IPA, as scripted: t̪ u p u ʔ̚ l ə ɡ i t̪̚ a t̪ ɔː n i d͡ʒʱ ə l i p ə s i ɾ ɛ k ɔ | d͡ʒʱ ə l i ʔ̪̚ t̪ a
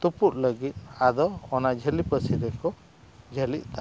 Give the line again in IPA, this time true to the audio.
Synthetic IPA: t̪ u p u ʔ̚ l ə ɡ i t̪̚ a d̪ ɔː n a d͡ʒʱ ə l i p ə s i ɾ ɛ k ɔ | d͡ʒʱ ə l i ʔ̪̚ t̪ a